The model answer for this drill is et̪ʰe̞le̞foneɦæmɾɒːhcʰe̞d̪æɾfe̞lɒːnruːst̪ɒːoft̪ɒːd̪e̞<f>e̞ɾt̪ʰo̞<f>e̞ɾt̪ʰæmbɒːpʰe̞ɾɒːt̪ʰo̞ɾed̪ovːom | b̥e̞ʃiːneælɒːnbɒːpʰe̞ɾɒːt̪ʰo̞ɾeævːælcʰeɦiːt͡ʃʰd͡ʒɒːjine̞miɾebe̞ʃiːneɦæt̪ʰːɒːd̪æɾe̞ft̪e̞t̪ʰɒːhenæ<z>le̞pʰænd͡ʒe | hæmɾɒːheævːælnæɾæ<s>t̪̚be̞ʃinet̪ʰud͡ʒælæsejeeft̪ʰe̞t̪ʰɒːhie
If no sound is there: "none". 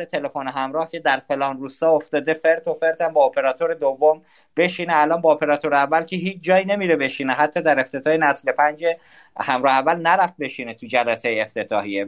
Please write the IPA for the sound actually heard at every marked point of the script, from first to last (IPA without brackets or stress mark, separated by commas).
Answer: f, f, s, f